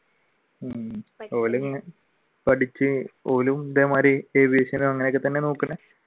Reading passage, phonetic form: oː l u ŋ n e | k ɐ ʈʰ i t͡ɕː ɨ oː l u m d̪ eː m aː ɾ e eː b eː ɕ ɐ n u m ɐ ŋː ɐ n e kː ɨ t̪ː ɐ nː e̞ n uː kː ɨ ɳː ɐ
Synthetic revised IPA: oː l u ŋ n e | p ɐ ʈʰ i t͡ɕː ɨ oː l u m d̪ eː m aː ɾ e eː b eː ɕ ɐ n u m ɐ ŋː ɐ n e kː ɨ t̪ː ɐ nː e̞ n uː kː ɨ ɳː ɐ